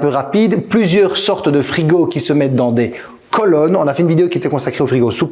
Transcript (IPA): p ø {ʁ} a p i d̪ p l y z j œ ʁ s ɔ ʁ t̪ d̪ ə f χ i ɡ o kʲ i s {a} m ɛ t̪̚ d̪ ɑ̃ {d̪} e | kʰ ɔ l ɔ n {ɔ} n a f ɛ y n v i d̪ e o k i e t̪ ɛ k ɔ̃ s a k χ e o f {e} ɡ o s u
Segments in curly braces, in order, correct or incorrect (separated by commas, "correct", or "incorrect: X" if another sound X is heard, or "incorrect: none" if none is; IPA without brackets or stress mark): correct, incorrect: ə, correct, incorrect: ɔ̃, incorrect: i